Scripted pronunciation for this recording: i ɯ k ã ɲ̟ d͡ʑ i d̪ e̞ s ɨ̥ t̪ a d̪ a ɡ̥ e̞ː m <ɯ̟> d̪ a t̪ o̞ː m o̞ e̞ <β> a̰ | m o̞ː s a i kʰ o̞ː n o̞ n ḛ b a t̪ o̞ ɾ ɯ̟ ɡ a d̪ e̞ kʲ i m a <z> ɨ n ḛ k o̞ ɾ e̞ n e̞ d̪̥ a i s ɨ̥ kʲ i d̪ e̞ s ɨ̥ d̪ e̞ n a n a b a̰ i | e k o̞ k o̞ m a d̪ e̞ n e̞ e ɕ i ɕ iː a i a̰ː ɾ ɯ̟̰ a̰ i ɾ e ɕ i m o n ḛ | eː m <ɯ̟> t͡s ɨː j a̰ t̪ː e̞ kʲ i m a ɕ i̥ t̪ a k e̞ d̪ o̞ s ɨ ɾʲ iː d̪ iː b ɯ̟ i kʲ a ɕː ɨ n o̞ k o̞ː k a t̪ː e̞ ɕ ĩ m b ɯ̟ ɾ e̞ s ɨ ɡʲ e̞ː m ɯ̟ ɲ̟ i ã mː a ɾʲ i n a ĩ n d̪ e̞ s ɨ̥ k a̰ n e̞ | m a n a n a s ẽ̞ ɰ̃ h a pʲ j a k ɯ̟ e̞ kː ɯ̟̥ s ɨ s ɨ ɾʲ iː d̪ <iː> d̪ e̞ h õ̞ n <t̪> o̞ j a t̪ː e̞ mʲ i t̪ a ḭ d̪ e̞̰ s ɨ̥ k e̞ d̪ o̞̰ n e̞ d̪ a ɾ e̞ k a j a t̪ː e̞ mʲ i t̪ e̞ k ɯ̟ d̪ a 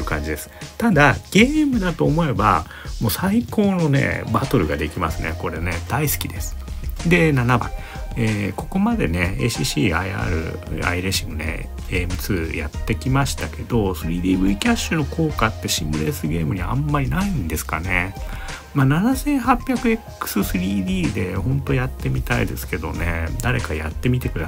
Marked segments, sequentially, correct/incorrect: correct, incorrect: b, incorrect: s, correct, correct, correct

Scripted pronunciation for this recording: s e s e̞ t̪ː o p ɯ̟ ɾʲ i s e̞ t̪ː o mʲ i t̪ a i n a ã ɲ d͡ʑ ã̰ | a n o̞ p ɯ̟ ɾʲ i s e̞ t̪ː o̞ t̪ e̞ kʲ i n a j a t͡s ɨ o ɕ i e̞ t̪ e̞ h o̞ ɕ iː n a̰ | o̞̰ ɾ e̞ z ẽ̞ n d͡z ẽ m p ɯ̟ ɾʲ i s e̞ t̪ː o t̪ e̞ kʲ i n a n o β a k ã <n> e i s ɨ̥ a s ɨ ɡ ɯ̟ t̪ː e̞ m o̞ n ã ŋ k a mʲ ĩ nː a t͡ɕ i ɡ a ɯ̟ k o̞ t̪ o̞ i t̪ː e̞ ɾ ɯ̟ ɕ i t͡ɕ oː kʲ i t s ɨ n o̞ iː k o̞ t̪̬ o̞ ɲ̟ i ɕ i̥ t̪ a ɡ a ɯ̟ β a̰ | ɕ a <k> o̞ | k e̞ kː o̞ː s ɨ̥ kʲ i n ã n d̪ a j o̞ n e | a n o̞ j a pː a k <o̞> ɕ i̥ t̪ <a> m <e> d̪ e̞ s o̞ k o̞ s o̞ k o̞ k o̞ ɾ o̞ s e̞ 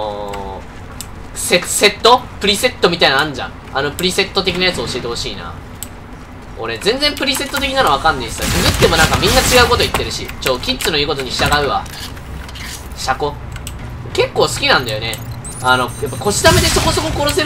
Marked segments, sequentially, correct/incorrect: incorrect: nː, correct, correct, correct, correct

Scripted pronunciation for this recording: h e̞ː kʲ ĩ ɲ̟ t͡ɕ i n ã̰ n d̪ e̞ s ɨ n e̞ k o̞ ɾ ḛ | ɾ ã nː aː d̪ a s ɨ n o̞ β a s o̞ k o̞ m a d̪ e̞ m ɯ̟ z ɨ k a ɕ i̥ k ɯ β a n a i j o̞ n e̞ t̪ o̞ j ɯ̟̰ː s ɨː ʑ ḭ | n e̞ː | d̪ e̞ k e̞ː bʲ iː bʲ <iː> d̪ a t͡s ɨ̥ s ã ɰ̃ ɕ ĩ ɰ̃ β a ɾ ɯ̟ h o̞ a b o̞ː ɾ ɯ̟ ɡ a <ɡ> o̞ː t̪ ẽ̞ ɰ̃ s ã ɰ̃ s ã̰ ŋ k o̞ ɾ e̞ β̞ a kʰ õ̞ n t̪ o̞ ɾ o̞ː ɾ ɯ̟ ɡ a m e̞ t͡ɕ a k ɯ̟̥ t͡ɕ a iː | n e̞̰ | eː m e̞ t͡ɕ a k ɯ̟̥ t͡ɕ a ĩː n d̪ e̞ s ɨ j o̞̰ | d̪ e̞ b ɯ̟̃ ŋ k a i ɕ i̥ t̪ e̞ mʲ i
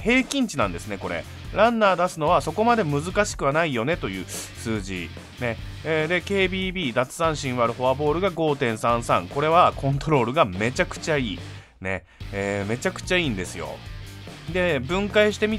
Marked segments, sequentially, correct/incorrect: correct, correct

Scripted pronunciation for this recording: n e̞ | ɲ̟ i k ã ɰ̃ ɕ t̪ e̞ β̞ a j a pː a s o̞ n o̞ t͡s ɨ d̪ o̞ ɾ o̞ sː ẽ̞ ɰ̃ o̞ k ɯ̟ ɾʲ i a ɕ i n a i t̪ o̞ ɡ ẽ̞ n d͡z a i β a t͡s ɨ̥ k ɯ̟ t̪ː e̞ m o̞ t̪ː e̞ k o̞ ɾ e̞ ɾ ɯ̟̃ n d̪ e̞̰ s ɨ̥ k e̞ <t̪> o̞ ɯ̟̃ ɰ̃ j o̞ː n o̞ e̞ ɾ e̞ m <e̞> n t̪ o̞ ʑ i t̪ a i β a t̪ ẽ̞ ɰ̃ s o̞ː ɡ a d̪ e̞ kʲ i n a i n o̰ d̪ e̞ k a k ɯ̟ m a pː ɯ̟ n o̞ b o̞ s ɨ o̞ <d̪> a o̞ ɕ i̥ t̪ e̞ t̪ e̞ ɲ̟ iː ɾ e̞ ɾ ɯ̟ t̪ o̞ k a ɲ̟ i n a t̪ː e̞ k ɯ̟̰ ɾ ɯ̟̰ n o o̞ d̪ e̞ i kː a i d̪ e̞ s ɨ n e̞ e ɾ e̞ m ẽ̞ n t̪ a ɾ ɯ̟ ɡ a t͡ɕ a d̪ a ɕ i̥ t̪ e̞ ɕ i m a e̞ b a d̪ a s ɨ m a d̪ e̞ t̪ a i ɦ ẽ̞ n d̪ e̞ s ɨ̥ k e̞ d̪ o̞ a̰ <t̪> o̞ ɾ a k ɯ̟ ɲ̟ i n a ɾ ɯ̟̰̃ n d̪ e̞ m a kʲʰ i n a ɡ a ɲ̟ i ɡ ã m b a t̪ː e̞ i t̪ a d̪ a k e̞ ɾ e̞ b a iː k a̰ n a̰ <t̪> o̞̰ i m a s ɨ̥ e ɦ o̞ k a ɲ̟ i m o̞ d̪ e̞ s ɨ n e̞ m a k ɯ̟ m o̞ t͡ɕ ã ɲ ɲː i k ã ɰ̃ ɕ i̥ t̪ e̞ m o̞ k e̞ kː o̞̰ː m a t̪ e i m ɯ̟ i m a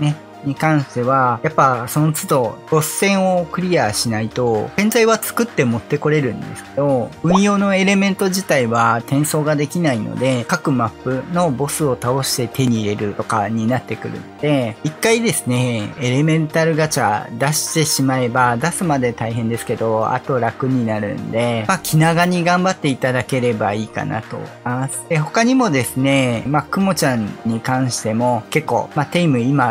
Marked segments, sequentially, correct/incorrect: incorrect: d̪, incorrect: ẽ̞, incorrect: t̪, correct, correct

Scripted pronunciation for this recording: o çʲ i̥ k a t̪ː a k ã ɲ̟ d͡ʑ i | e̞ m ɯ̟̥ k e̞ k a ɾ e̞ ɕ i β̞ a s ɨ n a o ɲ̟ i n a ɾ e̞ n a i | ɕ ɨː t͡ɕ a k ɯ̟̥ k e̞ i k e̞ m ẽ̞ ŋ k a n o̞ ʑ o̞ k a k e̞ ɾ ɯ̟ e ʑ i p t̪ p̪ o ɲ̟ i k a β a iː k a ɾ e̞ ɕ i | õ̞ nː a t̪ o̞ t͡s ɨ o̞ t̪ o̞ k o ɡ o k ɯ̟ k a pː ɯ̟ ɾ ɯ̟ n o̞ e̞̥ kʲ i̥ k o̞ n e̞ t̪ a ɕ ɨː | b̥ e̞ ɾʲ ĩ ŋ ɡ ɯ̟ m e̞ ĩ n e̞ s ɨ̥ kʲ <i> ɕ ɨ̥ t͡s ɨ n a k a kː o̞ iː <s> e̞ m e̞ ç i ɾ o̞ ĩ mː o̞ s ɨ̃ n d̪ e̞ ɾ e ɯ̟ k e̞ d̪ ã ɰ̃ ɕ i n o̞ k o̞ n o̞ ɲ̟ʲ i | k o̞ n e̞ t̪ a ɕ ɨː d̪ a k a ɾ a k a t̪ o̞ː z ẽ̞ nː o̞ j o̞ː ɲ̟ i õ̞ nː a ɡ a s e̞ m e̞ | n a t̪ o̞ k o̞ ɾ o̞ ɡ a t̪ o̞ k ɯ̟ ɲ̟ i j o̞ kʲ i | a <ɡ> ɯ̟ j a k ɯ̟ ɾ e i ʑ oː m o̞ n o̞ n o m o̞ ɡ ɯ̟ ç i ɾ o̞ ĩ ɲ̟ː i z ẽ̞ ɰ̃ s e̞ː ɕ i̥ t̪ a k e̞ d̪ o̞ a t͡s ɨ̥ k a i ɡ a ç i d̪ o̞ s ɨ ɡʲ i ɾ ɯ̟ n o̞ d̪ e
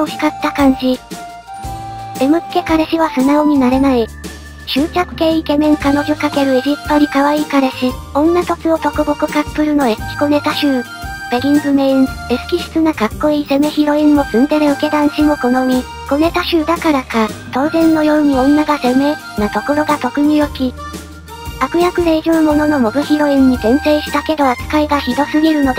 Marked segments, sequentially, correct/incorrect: correct, correct, incorrect: k

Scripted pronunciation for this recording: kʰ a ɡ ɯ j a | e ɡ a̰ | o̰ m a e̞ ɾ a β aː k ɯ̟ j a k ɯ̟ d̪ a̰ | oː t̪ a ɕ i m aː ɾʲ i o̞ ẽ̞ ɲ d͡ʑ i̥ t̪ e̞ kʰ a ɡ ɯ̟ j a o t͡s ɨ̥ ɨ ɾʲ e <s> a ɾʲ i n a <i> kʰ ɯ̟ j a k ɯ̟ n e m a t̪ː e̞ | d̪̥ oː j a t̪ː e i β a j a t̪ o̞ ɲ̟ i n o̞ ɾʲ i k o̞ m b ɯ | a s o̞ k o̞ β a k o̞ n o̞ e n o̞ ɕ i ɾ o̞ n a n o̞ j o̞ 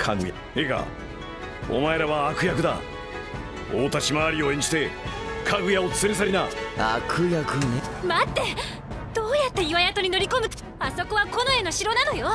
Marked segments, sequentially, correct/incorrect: correct, incorrect: a

